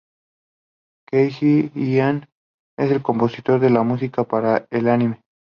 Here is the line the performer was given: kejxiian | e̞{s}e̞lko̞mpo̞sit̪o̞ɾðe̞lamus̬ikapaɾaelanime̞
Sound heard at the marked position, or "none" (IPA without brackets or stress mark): s